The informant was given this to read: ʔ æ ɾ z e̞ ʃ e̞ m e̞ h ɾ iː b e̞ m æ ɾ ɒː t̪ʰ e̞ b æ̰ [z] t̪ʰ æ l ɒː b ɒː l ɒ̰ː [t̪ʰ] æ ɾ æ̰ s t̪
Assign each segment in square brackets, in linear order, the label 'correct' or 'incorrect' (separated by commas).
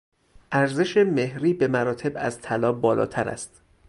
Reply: correct, correct